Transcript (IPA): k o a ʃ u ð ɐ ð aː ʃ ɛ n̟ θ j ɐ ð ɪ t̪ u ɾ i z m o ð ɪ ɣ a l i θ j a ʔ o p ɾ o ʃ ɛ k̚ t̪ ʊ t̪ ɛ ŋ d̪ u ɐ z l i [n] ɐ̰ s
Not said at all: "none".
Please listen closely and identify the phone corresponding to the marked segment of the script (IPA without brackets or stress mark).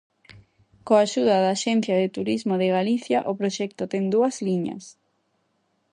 ɲ